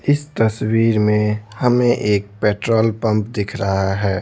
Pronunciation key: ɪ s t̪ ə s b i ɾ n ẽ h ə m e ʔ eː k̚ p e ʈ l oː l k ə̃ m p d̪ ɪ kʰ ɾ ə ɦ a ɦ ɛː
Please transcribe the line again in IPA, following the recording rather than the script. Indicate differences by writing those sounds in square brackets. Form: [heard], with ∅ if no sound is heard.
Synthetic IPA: ɪ s t̪ ə s [w] i ɾ [m] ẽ h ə m e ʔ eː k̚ p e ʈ [ɾ] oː l [p] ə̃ m p d̪ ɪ kʰ ɾ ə ɦ a ɦ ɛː